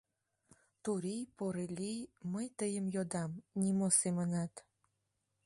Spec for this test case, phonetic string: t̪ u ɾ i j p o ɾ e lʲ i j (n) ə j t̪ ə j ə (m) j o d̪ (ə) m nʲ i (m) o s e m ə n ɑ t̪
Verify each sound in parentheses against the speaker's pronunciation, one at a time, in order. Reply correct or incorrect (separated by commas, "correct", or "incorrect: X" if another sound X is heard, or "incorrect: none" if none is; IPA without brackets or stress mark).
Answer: incorrect: m, correct, incorrect: ɑ, correct